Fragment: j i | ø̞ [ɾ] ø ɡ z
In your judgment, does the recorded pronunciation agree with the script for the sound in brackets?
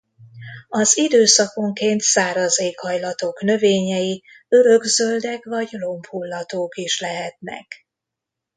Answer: yes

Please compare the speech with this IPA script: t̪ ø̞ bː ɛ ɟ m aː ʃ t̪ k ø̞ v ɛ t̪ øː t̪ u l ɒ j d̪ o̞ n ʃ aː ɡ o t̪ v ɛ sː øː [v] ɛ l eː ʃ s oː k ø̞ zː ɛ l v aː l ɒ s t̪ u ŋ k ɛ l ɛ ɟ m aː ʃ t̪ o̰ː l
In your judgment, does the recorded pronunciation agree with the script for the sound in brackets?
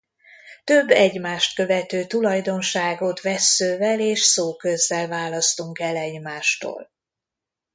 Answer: yes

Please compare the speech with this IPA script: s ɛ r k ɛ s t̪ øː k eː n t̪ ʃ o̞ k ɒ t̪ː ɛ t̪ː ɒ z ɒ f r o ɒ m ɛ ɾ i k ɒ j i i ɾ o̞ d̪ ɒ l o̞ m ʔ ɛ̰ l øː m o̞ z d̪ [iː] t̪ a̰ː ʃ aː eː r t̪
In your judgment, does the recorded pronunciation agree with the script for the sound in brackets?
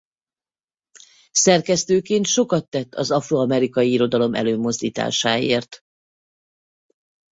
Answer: yes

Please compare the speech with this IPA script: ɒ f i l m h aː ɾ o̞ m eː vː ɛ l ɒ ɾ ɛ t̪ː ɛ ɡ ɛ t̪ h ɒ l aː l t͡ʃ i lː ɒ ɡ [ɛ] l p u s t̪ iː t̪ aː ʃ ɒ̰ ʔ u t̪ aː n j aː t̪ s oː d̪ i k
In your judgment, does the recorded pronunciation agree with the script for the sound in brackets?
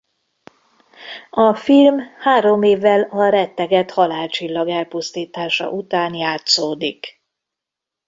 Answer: yes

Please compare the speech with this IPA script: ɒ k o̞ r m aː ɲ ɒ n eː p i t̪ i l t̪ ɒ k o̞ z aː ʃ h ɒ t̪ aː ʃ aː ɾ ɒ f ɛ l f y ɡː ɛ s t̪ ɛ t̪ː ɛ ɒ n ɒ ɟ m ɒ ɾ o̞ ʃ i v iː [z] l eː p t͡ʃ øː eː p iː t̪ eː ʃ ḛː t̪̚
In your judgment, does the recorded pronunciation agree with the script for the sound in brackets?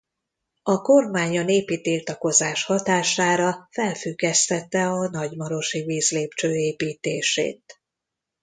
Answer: yes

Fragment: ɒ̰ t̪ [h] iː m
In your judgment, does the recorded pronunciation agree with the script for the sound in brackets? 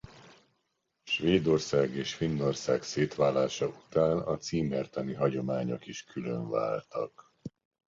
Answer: no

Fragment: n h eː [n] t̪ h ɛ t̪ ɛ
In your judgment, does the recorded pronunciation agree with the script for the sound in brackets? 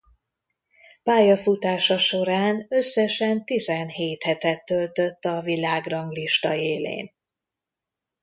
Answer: no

